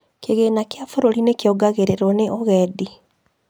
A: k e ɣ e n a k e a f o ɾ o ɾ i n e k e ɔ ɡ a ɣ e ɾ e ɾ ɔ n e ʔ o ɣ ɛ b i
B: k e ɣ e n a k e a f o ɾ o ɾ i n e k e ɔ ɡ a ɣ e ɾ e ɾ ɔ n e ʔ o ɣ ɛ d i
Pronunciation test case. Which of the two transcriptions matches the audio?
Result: B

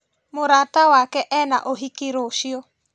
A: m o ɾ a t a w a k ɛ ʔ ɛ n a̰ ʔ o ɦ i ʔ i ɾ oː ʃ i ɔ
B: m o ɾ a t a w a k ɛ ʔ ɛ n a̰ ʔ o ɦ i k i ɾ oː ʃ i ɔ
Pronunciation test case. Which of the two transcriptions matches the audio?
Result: B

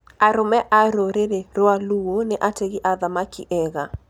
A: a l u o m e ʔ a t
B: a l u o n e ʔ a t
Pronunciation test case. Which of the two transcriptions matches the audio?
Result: B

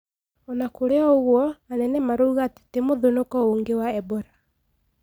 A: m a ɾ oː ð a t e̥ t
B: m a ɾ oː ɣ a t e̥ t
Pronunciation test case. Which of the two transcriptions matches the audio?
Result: B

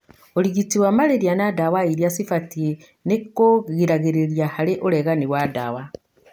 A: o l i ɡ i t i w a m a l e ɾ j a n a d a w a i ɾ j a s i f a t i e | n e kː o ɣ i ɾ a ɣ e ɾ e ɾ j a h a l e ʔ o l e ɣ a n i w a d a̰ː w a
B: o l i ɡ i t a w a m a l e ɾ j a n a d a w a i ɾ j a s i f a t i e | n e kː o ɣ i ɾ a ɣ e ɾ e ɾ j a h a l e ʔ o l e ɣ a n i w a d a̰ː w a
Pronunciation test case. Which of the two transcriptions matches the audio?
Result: A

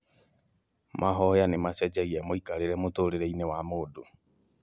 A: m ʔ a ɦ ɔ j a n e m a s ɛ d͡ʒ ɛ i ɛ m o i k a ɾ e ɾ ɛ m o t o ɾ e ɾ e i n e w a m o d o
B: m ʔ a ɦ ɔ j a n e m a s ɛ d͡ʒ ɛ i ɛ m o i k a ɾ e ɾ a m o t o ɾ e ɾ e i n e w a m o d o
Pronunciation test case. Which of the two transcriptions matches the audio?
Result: A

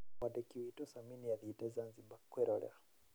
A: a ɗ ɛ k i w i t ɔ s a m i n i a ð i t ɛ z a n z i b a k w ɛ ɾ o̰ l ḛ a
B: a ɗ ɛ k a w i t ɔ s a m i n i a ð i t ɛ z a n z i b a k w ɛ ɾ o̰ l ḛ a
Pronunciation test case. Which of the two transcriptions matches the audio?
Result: A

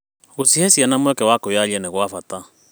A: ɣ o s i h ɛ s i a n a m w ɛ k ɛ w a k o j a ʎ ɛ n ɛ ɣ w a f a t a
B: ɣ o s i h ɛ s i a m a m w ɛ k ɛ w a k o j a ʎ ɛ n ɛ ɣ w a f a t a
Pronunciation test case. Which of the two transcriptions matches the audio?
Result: A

